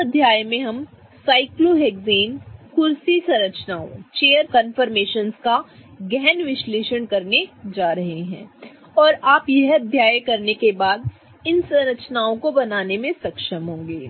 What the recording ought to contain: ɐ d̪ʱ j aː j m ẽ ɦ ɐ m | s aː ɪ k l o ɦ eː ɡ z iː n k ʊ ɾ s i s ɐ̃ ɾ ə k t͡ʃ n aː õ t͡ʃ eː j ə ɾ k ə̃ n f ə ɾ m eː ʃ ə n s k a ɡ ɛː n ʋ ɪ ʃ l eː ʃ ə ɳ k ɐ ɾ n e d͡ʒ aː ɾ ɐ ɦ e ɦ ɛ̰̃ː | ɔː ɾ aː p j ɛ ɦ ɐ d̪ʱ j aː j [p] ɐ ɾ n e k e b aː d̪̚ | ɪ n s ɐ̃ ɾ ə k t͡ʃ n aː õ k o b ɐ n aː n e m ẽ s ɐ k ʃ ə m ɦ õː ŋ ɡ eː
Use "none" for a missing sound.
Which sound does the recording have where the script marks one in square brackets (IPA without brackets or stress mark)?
k